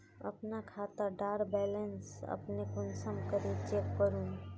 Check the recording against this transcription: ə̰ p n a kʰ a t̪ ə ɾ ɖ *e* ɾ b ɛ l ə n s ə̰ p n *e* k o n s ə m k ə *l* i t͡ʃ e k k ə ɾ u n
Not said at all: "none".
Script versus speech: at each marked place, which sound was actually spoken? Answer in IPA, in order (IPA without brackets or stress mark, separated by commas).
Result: a, e, ɾ